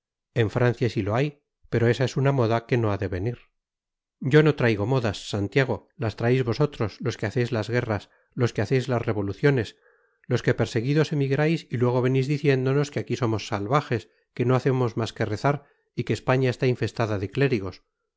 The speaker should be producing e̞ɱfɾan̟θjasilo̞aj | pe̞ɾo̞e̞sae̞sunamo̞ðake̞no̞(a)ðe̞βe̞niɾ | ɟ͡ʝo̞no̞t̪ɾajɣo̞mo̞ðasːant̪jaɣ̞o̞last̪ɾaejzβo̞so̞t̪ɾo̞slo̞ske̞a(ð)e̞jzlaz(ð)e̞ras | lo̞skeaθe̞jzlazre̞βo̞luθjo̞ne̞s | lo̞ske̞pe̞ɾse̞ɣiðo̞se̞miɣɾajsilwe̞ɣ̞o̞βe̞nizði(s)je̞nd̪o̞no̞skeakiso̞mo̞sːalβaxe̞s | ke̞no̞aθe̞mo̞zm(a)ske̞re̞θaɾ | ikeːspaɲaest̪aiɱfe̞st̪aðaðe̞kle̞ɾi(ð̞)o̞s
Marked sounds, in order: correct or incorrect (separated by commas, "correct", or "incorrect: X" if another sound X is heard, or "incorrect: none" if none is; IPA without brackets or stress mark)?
correct, incorrect: θ, incorrect: ɣ, incorrect: θ, correct, incorrect: ɣ̞